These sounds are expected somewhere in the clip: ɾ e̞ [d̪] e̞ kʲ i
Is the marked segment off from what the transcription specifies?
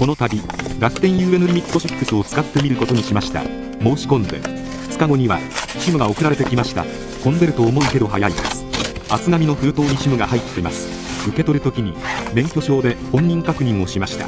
yes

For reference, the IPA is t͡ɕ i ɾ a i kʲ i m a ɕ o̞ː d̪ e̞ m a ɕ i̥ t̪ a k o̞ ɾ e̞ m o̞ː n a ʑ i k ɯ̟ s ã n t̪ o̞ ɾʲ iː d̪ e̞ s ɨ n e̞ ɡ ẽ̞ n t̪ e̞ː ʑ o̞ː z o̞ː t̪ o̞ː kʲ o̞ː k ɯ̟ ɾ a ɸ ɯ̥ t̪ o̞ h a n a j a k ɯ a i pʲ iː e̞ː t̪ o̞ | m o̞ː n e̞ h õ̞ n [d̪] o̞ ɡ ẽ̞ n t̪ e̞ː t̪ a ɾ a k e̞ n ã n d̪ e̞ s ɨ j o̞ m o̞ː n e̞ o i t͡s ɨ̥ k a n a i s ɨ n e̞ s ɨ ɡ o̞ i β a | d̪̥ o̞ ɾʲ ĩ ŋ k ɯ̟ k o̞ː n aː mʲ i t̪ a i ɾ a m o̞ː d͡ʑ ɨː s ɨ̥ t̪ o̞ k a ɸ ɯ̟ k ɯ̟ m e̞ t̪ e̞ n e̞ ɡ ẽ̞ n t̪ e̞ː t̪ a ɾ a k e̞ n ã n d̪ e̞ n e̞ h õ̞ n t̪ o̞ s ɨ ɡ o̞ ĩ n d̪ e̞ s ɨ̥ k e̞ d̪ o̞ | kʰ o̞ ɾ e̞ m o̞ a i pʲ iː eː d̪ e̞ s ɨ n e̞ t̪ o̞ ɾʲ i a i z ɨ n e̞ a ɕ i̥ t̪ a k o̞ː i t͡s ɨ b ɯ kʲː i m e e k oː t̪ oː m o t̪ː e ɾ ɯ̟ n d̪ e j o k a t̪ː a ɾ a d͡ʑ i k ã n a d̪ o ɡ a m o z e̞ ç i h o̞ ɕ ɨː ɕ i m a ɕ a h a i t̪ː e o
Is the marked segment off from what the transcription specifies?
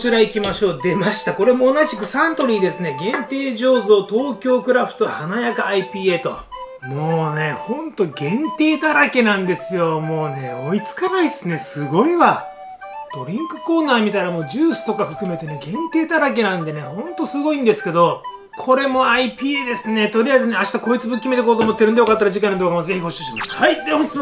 yes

